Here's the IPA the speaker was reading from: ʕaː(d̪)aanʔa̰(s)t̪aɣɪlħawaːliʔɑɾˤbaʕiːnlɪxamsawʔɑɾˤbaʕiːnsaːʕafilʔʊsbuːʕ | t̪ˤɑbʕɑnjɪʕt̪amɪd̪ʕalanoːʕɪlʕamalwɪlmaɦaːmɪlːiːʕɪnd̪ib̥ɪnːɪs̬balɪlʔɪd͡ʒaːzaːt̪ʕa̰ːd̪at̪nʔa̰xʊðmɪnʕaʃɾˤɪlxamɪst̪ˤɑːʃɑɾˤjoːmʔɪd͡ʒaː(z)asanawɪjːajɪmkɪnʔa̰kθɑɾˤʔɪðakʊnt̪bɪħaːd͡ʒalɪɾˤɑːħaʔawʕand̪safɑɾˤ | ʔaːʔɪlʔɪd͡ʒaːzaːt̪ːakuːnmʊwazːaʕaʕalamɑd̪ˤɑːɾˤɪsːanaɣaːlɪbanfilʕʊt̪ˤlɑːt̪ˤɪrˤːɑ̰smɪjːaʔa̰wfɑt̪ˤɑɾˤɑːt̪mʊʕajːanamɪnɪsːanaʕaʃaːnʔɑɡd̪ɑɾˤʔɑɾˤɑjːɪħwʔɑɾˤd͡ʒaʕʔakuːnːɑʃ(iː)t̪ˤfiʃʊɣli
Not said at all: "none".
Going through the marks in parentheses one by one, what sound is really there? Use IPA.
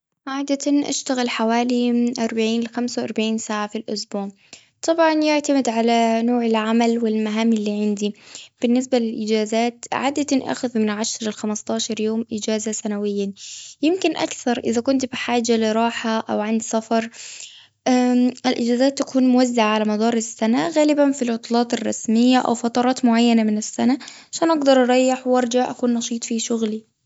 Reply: d̪, ʃ, z, iː

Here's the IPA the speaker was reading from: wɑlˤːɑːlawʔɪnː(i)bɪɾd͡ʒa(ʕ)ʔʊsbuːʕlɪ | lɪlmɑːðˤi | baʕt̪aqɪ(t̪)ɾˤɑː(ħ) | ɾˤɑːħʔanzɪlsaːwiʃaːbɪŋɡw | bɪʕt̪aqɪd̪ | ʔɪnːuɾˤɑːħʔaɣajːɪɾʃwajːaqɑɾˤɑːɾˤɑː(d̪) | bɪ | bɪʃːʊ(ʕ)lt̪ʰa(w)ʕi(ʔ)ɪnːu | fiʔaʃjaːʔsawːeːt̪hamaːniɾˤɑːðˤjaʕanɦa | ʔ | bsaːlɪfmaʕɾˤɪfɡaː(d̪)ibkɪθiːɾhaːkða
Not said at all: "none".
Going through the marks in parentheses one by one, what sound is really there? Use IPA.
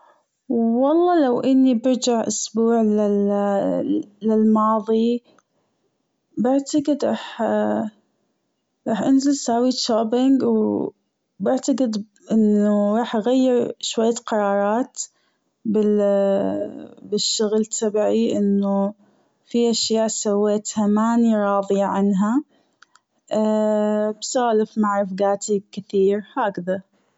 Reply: i, ʕ, d̪, ħ, t̪, ɣ, b, ʔ, t̪

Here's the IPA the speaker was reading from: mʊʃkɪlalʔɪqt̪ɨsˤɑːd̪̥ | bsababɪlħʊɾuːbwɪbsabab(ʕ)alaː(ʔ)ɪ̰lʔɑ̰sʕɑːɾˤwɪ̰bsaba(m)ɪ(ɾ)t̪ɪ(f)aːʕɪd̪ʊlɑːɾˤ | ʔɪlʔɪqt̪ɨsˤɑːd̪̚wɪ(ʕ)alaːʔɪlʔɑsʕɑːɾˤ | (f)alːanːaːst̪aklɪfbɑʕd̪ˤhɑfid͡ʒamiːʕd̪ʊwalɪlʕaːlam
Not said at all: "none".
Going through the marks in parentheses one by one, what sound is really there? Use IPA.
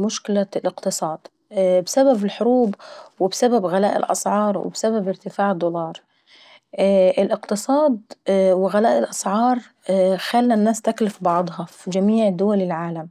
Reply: ɣ, ʔ, b, ɾ, f, ɣ, x

